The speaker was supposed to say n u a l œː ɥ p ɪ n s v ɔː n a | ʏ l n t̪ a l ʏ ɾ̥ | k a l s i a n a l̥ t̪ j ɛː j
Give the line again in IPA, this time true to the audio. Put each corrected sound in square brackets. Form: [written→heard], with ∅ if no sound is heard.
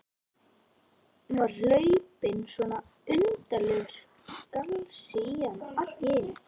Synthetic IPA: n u a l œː ɥ p ɪ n s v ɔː n a | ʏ [l→∅] n t̪ a l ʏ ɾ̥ | k a l s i a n a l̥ t̪ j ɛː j